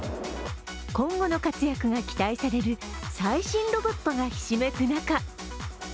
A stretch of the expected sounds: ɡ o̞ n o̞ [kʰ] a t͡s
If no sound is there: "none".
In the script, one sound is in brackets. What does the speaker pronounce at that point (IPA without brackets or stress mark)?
k